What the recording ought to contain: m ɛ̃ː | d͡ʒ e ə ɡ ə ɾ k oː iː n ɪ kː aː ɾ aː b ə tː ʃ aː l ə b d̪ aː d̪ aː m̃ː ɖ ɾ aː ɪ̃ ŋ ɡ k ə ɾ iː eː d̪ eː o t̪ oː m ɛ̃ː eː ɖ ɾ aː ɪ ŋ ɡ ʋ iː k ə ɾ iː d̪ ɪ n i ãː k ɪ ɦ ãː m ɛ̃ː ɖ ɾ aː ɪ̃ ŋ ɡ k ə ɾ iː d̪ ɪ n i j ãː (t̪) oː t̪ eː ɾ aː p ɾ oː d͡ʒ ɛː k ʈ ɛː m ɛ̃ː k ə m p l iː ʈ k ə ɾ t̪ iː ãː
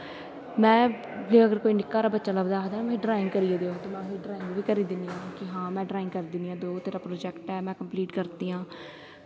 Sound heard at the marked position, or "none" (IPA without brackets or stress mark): d̪